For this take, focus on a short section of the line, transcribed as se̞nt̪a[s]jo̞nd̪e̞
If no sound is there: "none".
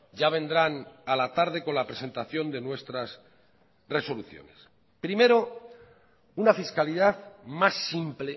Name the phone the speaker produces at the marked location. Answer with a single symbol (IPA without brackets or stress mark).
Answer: θ